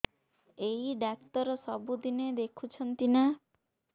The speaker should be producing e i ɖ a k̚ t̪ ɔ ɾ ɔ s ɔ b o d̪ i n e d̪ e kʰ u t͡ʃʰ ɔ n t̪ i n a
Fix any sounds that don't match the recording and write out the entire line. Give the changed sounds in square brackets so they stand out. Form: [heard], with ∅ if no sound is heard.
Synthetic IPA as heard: e i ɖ a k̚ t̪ ɔ ɾ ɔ s ɔ b [u] d̪ i n e d̪ e kʰ u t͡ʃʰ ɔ n t̪ i n a

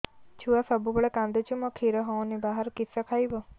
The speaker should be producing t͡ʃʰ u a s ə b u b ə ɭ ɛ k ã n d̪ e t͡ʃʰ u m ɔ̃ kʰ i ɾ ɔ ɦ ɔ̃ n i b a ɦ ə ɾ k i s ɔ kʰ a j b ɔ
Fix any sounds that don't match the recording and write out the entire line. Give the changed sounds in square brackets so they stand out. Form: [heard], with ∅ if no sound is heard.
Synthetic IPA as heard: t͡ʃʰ u a s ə b u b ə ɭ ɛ k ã n d̪ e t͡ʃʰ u m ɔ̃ kʰ i ɾ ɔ ɦ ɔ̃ n i b a ɦ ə ɾ k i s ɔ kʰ a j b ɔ

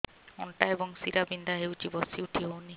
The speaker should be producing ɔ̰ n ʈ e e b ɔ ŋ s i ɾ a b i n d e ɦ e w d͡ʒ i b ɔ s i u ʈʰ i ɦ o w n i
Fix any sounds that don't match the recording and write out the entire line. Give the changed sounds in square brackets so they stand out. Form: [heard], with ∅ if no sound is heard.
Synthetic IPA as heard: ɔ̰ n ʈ [a] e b ɔ ŋ s i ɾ a b i n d [a] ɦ e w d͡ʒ i b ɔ s i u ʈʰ i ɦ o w n i

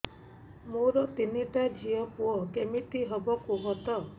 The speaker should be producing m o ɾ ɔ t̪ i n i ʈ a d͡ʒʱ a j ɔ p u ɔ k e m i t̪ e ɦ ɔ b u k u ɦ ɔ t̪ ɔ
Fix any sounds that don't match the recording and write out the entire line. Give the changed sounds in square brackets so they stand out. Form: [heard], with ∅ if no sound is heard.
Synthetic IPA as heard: m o ɾ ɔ t̪ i n i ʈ a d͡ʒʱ [i] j ɔ p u ɔ k e m i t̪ [i] ɦ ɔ b [ɔ] k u ɦ ɔ t̪ ɔ

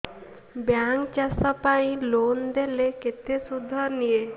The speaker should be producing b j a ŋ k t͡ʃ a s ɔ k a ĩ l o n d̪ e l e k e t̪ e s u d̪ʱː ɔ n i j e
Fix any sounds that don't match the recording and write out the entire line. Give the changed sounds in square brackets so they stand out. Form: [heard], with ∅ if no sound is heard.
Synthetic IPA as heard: b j a ŋ k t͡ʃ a s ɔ [p] a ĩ l o n d̪ e l e k e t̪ e s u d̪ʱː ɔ n i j e

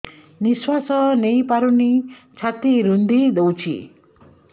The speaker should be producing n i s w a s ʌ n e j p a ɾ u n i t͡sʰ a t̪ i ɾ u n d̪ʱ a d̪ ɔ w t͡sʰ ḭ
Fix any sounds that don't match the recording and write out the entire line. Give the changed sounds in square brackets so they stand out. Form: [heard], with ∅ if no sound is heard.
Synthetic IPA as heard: n i s w a s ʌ n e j p a ɾ u n i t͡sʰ a t̪ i ɾ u n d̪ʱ [i] d̪ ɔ w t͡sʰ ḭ

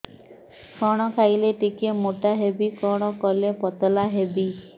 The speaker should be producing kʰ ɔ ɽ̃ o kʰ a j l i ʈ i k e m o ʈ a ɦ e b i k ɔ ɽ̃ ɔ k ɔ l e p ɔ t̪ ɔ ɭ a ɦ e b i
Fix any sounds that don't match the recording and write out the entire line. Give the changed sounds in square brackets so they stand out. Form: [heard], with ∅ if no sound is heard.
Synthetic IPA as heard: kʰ ɔ ɽ̃ [ɔ] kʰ a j l [e] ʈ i k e m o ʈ a ɦ e b i k ɔ ɽ̃ ɔ k ɔ l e p ɔ t̪ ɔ [l] a ɦ e b i

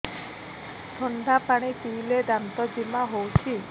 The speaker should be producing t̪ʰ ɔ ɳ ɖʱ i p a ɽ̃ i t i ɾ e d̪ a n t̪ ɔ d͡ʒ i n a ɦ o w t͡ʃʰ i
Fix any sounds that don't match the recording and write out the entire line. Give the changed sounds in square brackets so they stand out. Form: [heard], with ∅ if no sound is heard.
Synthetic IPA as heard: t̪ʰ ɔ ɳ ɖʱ [a] p a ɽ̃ i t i [l] e d̪ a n t̪ ɔ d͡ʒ i [m] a ɦ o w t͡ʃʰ i

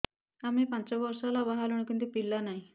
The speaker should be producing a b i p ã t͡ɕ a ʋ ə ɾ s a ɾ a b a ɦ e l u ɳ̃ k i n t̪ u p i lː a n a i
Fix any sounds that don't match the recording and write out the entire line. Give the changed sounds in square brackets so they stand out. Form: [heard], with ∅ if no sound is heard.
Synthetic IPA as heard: a [m] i p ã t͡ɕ a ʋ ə ɾ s a [l] a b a ɦ [a] l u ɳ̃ k i n t̪ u p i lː a n a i

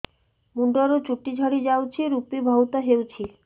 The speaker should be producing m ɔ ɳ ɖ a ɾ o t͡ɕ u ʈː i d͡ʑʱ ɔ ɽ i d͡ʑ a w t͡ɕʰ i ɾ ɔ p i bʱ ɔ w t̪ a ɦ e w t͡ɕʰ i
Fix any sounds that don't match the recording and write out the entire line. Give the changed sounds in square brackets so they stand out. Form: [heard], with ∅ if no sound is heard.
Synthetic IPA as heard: m [u] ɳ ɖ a ɾ o t͡ɕ u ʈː i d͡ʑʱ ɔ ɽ i d͡ʑ a w t͡ɕʰ i ɾ [u] p i bʱ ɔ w t̪ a ɦ e w t͡ɕʰ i

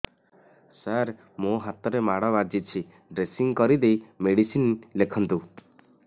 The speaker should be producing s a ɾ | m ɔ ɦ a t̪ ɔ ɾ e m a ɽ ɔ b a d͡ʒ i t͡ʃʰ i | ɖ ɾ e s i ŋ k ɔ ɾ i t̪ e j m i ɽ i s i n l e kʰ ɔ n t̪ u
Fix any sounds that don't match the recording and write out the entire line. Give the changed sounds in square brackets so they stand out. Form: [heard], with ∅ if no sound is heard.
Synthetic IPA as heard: s a ɾ | m [o] ɦ a t̪ ɔ ɾ e m a ɽ ɔ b a d͡ʒ i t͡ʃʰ i | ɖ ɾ e s i ŋ k ɔ ɾ i [d̪] e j m [e] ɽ i s i n l e kʰ ɔ n t̪ u

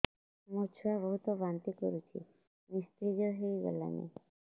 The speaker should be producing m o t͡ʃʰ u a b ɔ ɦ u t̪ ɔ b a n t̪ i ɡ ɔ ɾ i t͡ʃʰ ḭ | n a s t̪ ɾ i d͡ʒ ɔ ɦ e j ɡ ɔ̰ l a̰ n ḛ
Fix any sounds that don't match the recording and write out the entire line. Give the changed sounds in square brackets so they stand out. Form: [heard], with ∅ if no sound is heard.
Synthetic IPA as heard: m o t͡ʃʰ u a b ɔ ɦ u t̪ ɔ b a n t̪ i [k] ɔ ɾ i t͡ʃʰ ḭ | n [i] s t̪ ɾ i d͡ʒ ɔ ɦ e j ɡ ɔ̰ l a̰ n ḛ

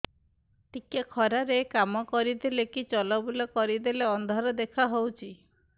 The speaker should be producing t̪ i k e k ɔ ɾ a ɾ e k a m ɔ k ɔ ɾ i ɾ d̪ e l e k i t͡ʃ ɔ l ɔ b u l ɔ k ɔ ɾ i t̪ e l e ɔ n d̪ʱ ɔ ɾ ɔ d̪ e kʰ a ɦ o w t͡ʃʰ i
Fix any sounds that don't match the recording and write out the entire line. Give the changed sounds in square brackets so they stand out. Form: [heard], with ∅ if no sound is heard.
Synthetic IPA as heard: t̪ i k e [kʰ] ɔ ɾ a ɾ e k a m ɔ k ɔ ɾ i [∅] d̪ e l e k i t͡ʃ ɔ l ɔ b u l ɔ k ɔ ɾ i [d̪] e l e ɔ n d̪ʱ ɔ ɾ ɔ d̪ e kʰ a ɦ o w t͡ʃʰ i

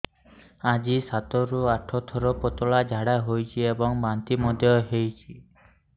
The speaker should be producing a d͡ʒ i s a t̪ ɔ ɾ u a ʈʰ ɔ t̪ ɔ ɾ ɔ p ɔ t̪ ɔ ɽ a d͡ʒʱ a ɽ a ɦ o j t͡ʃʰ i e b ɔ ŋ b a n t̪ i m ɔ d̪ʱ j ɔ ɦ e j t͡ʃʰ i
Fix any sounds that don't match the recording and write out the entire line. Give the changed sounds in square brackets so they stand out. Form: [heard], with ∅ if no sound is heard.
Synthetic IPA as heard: a d͡ʒ i s a t̪ ɔ ɾ u a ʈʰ ɔ [t̪ʰ] ɔ ɾ ɔ p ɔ t̪ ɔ [ɭ] a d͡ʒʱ a ɽ a ɦ o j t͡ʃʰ i e b ɔ ŋ b a n t̪ i m ɔ d̪ʱ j ɔ ɦ e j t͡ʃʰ i

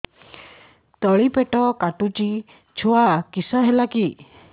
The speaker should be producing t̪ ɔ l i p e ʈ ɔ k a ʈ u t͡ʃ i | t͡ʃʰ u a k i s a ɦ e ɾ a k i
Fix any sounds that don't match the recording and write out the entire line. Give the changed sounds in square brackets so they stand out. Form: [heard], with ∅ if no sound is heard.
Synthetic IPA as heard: t̪ ɔ [ɭ] i p e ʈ ɔ k a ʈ u t͡ʃ i | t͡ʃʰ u a k i s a ɦ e [l] a k i

